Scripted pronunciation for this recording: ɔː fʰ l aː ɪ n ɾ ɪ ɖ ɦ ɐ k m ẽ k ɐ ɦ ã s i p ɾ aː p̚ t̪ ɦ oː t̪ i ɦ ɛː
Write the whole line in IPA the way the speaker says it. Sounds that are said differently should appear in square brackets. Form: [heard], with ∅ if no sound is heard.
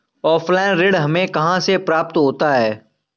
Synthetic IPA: ɔː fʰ l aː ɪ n ɾ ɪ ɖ ɦ ɐ [∅] m ẽ k ɐ ɦ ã s [e] p ɾ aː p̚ t̪ ɦ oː t̪ [a] ɦ ɛː